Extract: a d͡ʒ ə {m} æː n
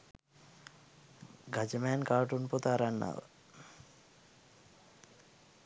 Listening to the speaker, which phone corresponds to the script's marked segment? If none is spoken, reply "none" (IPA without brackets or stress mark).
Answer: m